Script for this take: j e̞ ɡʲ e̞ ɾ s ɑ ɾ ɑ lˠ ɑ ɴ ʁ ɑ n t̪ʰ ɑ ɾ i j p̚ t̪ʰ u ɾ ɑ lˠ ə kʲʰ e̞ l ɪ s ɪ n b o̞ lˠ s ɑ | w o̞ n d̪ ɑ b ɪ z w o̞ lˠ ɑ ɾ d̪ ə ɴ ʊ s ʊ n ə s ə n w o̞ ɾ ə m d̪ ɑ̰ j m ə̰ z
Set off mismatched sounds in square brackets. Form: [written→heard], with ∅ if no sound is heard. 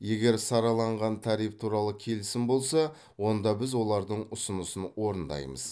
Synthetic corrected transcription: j e̞ ɡʲ e̞ ɾ s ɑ ɾ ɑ lˠ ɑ ɴ ʁ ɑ n t̪ʰ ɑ ɾ i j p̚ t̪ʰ u ɾ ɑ lˠ ə kʲʰ e̞ l ɪ s ɪ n b o̞ lˠ s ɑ | w o̞ n d̪ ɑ b ɪ z w o̞ lˠ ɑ ɾ d̪ ə ɴ ʊ s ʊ n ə s ə n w o̞ ɾ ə [m→n] d̪ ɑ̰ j m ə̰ z

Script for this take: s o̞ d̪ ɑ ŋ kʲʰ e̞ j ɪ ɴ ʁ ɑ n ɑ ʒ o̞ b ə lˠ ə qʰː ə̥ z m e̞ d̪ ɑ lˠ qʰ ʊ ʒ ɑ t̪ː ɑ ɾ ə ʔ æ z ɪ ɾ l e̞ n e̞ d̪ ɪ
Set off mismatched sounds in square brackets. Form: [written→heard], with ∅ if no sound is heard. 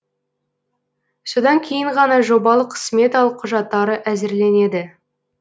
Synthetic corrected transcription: s o̞ d̪ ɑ ŋ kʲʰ e̞ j ɪ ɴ ʁ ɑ n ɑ ʒ o̞ b [ə→ɑ] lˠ ə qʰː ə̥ [z→s] m e̞ [d̪→t̪] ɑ lˠ qʰ ʊ ʒ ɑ t̪ː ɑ ɾ ə ʔ æ z ɪ ɾ l e̞ n e̞ d̪ ɪ

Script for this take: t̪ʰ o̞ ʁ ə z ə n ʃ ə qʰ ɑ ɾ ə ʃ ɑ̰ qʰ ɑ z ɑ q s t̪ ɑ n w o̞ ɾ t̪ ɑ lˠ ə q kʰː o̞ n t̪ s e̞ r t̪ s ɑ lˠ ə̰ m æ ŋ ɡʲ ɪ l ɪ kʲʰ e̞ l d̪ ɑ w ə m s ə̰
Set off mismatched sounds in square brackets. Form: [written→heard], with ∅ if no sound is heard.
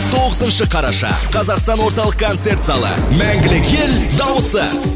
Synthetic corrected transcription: t̪ʰ o̞ ʁ ə z ə n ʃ ə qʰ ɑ ɾ [ə→ɑ] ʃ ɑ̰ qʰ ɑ z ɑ q s t̪ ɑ n w o̞ ɾ t̪ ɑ lˠ ə q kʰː o̞ n t̪ s e̞ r t̪ s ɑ lˠ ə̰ m æ ŋ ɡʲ ɪ l ɪ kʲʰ e̞ l d̪ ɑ w ə [m→∅] s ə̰

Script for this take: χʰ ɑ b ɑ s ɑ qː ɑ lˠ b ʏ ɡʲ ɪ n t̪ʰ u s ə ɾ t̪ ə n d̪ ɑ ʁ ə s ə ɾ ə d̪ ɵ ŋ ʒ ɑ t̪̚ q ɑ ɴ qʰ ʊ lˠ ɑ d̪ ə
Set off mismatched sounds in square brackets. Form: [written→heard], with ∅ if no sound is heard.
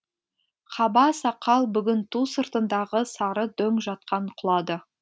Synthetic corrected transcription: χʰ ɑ b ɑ s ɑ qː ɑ lˠ b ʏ ɡʲ ɪ n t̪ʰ u s ə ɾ t̪ ə n d̪ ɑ ʁ ə s [ə→ɑ] ɾ ə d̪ ɵ ŋ ʒ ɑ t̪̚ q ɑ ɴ qʰ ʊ lˠ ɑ d̪ ə

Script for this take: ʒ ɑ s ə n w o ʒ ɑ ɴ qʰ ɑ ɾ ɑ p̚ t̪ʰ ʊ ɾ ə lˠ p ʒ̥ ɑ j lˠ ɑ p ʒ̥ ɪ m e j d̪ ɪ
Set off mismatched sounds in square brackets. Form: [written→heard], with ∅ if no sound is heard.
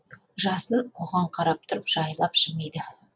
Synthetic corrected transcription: ʒ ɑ s ə n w o [ʒ→ʁ] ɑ ɴ qʰ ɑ ɾ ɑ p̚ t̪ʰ ʊ ɾ ə [lˠ→∅] p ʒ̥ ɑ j lˠ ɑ p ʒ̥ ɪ m e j d̪ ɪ

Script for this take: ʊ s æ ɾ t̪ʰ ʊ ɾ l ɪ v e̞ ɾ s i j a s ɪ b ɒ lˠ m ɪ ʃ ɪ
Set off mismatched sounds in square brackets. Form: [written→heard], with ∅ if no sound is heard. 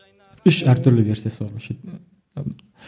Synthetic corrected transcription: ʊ [s→ʃ] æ ɾ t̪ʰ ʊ ɾ l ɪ v e̞ ɾ s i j a s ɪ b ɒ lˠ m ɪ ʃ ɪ

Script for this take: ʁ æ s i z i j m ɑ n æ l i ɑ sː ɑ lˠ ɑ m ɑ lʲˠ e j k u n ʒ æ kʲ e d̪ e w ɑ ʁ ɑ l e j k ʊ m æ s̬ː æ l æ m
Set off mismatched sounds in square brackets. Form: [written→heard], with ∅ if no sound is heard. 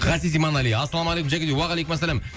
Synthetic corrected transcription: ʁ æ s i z i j m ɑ n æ l i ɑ sː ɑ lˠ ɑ m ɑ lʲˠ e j k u [n→m] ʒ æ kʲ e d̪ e w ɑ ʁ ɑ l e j k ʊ m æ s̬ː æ l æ m

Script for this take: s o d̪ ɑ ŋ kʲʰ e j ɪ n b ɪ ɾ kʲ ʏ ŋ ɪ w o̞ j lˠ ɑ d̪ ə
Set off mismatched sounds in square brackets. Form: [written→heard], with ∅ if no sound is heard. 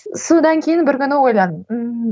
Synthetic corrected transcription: s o d̪ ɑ ŋ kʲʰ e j ɪ n b ɪ ɾ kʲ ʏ [ŋ→n] ɪ w o̞ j lˠ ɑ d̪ ə

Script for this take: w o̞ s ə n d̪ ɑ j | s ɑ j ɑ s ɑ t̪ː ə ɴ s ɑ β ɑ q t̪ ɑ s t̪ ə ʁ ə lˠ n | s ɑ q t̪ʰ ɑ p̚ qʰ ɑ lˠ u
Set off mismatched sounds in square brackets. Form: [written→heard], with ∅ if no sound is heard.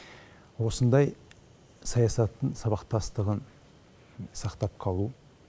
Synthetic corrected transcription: w o̞ s ə n d̪ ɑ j | s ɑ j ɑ s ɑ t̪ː ə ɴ s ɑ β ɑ q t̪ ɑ s t̪ ə ʁ ə [lˠ→∅] n | s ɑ q [t̪ʰ→t̪] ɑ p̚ qʰ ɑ lˠ u

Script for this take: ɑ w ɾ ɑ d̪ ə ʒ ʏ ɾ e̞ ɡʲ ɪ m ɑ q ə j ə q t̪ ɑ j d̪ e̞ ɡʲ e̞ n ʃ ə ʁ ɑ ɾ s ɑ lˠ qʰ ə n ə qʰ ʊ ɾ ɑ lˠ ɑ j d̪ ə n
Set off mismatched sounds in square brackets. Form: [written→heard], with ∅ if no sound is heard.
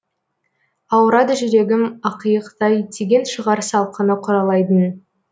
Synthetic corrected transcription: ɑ w ɾ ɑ d̪ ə ʒ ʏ ɾ e̞ ɡʲ ɪ m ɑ q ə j ə q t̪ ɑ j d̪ e̞ ɡʲ e̞ n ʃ ə ʁ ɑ ɾ s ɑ lˠ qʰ ə n ə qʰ ʊ ɾ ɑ lˠ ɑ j d̪ ə n

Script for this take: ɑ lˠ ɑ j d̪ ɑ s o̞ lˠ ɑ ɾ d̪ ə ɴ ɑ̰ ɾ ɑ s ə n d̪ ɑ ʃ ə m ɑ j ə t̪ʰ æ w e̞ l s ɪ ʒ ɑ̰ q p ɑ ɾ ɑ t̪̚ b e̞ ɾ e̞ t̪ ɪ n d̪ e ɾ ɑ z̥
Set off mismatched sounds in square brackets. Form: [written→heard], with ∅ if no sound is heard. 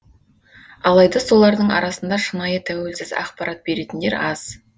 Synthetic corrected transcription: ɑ lˠ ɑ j d̪ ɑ s o̞ lˠ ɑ ɾ d̪ ə ɴ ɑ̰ ɾ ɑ s ə n d̪ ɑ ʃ ə [m→n] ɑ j ə t̪ʰ æ w e̞ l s ɪ [ʒ→z] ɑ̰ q p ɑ ɾ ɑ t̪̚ b e̞ ɾ e̞ t̪ ɪ n d̪ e ɾ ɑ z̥

